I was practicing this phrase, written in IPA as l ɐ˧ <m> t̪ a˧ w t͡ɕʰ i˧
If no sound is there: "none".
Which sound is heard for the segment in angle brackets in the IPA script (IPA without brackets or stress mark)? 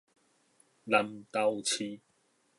m